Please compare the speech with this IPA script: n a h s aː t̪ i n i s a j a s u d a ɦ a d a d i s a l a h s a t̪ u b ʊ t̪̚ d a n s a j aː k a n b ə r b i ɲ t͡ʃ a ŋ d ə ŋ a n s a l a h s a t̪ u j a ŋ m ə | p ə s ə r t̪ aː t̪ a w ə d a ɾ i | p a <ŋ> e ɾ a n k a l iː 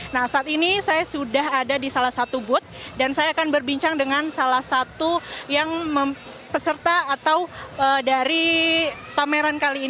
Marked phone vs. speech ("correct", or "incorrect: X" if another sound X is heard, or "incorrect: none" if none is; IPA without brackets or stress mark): incorrect: m